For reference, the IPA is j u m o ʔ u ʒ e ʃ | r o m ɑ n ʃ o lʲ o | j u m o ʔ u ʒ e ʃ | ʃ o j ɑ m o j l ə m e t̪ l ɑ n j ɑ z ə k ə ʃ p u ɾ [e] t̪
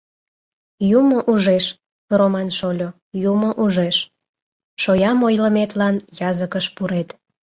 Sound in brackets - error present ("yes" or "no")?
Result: no